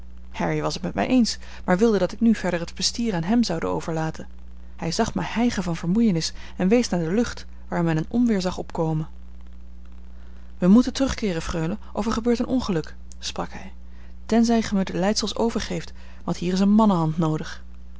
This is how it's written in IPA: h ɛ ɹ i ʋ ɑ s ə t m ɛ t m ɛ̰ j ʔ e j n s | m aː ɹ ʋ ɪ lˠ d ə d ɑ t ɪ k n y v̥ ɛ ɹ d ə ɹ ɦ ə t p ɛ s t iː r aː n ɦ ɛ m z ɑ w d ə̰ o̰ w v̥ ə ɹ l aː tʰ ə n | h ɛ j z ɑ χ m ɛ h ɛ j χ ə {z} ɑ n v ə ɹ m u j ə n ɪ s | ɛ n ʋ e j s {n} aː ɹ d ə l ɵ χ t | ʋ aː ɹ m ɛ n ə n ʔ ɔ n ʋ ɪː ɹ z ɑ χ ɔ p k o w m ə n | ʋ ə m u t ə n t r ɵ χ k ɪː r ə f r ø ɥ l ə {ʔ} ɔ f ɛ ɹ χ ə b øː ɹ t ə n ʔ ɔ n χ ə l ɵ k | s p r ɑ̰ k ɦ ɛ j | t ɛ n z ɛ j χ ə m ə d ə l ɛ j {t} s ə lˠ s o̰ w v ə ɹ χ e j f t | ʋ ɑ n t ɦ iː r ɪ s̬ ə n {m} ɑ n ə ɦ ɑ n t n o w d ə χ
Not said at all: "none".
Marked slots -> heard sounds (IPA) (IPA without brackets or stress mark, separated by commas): v, n, ʔ, t, m